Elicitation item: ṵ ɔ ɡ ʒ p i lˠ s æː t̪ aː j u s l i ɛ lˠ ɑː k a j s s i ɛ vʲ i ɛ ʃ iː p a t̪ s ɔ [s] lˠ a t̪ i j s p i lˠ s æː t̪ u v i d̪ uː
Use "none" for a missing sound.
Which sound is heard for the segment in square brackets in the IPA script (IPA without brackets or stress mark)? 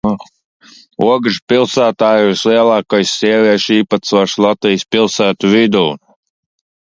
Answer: ʃ